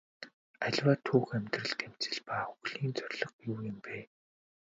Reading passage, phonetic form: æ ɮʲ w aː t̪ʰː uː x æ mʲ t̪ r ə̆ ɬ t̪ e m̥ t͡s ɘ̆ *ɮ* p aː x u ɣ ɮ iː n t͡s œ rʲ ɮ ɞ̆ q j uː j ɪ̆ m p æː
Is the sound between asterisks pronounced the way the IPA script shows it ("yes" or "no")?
yes